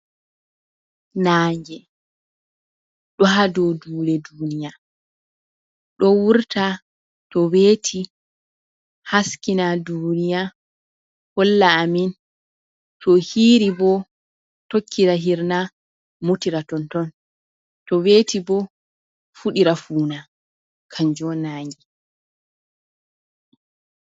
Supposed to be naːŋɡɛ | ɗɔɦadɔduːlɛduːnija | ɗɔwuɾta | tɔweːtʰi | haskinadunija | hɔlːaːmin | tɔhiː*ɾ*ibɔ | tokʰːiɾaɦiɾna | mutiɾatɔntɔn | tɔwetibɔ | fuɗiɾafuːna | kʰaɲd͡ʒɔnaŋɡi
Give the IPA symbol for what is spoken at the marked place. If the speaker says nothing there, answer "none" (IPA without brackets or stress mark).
ɾ